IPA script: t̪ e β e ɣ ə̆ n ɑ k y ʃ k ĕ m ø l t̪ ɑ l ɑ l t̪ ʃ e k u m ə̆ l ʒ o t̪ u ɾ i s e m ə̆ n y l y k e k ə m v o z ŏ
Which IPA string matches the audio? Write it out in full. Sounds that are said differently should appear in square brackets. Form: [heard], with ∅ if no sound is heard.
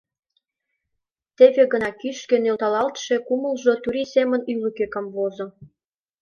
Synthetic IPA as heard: t̪ e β e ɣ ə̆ n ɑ k y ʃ k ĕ [n] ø l t̪ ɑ l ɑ l t̪ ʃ e k u m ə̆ l ʒ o t̪ u ɾ i s e m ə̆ n y l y k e k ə m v o z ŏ